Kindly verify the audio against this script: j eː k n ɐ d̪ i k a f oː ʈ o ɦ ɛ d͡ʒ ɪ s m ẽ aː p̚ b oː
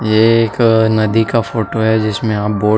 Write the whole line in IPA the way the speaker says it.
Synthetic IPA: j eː k n ɐ d̪ i k a f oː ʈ o ɦ ɛ d͡ʒ ɪ s m ẽ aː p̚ b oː